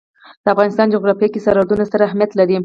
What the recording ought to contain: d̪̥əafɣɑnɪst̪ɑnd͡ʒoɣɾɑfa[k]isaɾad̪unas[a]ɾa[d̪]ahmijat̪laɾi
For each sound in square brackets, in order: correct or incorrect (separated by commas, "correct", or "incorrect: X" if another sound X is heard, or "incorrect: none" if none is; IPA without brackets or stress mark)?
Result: correct, correct, incorrect: none